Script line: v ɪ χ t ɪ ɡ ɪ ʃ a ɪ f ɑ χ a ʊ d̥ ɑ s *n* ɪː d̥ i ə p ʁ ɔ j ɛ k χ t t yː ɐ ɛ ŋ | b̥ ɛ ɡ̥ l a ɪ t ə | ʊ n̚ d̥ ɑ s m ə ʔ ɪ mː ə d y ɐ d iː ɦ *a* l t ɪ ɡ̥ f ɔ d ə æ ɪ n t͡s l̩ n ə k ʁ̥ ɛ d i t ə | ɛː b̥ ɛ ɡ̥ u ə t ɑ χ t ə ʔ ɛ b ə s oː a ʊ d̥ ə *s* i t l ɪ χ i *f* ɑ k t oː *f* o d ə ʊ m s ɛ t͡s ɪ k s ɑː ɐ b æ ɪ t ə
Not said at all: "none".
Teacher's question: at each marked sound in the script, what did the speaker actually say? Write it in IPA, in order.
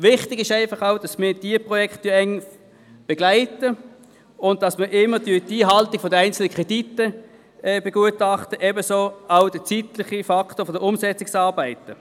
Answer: m, ɑ, t͡s, f, f

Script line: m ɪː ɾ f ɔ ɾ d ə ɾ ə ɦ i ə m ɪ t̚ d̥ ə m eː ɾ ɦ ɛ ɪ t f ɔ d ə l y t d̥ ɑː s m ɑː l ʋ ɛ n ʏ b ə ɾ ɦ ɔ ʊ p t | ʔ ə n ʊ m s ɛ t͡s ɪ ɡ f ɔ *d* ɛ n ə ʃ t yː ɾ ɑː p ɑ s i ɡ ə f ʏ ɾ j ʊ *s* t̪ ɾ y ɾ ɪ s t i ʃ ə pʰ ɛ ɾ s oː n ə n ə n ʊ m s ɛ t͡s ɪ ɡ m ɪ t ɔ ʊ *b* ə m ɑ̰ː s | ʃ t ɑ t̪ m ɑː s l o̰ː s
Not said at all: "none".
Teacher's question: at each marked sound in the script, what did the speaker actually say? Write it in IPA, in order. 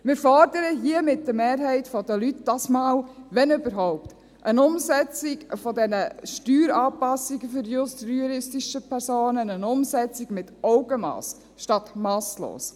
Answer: d, s, ɡ

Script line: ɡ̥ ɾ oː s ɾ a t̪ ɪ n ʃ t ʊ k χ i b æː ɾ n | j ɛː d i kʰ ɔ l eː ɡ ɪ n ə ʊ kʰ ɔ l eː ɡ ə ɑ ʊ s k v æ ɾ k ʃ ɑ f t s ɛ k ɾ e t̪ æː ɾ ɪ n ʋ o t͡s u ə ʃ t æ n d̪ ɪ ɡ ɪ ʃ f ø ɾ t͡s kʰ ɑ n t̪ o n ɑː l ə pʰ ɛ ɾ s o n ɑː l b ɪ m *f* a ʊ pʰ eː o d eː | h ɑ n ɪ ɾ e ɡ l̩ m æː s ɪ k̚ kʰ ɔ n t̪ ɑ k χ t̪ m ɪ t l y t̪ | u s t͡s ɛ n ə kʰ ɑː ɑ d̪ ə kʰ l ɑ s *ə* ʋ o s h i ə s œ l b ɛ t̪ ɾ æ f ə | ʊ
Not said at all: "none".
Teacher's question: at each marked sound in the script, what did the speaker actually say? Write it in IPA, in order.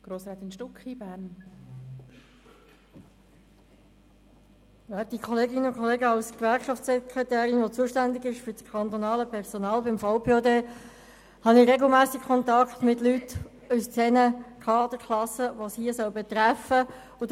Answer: f, ə

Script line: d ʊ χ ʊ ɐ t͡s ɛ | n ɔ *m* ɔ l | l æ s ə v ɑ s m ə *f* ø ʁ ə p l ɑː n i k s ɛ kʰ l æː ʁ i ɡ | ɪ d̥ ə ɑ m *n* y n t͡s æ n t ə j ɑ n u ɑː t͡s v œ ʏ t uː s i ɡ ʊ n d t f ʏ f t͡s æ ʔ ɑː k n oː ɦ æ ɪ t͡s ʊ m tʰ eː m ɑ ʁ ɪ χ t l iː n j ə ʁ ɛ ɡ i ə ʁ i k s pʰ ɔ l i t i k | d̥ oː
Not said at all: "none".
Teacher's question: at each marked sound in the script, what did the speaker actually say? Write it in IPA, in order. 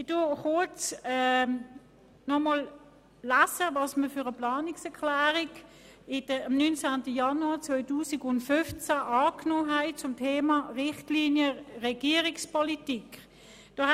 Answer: m, f, n

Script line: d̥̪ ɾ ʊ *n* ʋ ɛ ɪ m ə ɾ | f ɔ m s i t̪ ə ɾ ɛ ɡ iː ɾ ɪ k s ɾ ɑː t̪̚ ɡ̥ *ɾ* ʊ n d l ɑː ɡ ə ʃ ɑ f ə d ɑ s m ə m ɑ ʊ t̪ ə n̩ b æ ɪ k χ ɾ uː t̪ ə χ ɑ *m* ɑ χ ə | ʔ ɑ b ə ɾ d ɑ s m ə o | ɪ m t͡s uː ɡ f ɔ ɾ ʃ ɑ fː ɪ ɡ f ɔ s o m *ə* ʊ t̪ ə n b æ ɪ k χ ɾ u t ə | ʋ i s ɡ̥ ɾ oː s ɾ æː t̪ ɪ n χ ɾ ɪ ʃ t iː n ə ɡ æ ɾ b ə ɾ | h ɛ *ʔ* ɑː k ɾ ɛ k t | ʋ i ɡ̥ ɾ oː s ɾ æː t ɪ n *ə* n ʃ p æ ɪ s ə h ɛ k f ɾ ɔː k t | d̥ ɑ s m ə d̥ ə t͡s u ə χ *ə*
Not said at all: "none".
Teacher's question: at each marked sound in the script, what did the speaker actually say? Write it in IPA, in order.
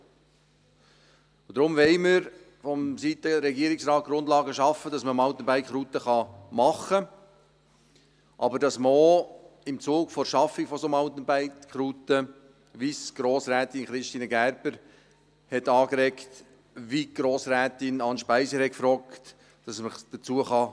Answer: m, ɾ, m, ɑ, t, ɑ, ɑ

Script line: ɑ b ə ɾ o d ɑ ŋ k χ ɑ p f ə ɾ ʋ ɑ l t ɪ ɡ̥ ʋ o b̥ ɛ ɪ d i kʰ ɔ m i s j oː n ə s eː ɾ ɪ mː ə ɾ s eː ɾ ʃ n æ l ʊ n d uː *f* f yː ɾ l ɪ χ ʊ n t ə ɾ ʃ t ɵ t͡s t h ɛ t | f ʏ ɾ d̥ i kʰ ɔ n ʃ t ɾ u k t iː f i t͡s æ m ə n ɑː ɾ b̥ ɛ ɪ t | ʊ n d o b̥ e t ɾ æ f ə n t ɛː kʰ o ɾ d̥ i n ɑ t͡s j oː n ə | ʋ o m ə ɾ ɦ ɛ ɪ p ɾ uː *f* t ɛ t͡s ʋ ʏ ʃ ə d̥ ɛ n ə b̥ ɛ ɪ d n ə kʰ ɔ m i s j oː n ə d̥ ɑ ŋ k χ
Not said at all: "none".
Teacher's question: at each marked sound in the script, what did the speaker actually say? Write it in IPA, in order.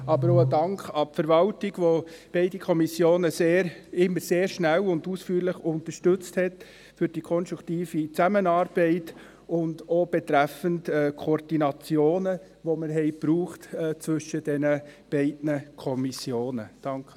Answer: s, χ

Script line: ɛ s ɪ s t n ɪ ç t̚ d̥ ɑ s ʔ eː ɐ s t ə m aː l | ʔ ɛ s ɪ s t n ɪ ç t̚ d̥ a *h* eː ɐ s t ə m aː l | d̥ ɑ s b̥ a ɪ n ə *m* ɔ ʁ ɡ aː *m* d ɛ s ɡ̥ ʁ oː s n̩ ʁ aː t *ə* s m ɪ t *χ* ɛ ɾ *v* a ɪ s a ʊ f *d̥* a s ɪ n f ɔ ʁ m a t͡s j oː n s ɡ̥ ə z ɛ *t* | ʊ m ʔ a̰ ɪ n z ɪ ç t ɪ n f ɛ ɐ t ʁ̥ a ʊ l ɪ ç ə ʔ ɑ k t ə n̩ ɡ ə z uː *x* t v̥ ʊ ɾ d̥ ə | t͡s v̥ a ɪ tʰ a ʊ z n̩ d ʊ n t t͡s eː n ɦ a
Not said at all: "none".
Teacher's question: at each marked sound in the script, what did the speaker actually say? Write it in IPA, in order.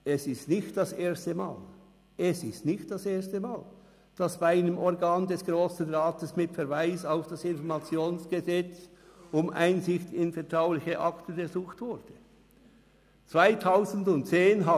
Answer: s, m, n, ə, f, v, d̥, t͡s, x

